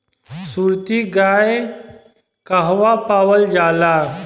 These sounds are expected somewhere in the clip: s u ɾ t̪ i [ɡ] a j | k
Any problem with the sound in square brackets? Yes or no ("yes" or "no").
no